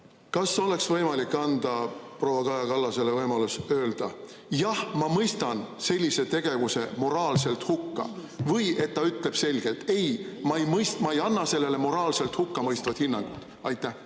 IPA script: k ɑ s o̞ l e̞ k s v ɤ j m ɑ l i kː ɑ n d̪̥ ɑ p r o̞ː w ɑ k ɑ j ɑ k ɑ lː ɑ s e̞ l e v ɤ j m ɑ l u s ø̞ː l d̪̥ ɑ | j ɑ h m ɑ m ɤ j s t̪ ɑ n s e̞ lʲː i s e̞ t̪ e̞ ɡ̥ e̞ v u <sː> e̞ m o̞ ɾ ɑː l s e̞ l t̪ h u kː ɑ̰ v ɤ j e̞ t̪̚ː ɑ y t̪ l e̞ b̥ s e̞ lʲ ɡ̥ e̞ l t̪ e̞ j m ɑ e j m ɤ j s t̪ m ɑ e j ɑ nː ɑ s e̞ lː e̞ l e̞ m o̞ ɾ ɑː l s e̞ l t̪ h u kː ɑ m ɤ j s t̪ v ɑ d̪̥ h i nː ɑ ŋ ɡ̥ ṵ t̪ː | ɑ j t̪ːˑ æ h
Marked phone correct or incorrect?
incorrect